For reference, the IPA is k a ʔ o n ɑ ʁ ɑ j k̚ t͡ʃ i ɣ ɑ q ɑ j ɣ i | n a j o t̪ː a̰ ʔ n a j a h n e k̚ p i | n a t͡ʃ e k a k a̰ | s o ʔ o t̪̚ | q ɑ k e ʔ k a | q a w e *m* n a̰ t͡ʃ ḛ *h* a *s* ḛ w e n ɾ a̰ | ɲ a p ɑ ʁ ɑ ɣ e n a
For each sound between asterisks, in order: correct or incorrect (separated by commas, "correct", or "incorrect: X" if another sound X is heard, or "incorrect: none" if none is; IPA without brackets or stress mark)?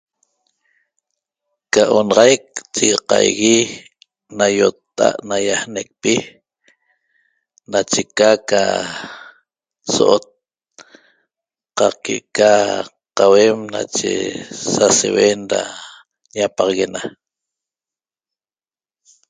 correct, incorrect: s, correct